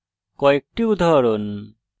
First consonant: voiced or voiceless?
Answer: voiceless